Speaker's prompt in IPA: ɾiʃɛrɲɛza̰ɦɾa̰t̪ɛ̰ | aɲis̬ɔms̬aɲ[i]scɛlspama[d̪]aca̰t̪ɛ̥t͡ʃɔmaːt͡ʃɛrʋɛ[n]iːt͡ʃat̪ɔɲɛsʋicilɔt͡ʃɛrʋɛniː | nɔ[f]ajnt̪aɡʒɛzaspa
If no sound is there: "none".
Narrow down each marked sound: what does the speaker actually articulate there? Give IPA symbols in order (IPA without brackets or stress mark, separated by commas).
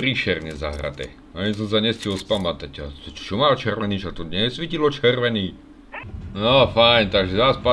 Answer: ɛ, t̪, n, f